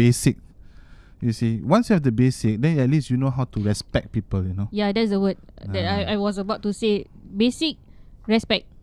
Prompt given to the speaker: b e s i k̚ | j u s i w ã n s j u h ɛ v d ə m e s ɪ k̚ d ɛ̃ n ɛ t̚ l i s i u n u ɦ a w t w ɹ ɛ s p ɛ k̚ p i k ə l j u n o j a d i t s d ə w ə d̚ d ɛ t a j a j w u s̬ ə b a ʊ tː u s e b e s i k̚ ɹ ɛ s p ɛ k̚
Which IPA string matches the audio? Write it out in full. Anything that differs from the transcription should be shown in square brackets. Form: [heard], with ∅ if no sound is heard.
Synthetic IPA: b e s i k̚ | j u s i w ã n s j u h ɛ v d ə [b] e s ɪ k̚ d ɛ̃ n ɛ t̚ l i s [j] u n [o] ɦ a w t [u] ɹ ɛ s p ɛ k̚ p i [p] ə l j u n o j a d [ɛ] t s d ə w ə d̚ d ɛ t a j a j w [ɔ] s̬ ə b a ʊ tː u s e b e s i k̚ ɹ ɛ s p ɛ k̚